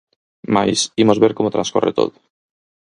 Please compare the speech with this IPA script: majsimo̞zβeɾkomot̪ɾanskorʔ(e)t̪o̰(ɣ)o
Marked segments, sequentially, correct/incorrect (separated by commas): correct, incorrect